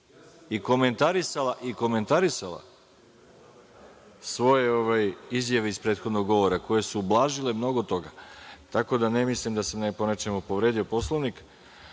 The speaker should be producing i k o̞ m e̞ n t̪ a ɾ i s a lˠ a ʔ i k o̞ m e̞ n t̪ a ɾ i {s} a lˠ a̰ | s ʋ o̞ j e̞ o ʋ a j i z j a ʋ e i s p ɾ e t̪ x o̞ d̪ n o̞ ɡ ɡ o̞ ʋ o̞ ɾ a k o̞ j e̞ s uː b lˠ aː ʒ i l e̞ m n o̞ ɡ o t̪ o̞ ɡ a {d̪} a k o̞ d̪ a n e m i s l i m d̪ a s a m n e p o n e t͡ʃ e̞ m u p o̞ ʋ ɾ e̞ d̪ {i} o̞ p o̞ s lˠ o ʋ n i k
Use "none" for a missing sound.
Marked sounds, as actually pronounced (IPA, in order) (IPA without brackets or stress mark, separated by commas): s, t̪, i